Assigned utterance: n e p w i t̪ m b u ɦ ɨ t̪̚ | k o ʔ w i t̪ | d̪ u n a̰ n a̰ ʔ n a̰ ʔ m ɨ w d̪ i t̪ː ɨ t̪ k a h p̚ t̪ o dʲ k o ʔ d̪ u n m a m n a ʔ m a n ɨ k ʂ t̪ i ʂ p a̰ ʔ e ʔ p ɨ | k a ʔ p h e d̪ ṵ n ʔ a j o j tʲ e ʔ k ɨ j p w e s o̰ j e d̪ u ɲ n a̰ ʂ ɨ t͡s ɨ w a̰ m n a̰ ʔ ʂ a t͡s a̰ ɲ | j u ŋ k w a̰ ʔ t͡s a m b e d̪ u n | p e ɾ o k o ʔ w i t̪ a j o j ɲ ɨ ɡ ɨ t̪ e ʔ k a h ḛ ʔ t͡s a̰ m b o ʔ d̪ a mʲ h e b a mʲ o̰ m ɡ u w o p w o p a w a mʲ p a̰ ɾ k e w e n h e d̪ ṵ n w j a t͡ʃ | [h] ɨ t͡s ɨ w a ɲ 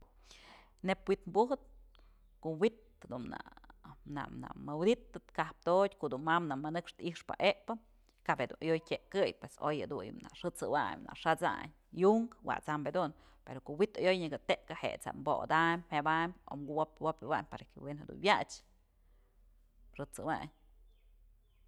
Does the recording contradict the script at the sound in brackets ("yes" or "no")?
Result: yes